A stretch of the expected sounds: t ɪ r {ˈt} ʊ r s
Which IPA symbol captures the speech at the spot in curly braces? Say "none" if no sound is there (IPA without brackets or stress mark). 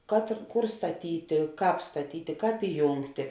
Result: k